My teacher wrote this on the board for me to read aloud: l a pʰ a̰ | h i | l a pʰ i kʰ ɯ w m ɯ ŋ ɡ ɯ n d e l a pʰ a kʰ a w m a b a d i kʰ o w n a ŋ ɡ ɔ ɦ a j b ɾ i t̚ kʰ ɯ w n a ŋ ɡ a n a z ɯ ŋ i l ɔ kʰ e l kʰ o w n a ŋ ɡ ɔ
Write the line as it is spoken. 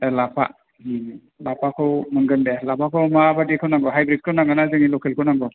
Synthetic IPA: l a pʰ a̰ | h i | l a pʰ a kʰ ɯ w m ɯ ŋ ɡ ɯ n d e l a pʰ a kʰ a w m a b a d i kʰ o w n a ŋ ɡ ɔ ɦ a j b ɾ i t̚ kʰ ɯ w n a ŋ ɡ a n a z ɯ ŋ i l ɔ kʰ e l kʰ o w n a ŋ ɡ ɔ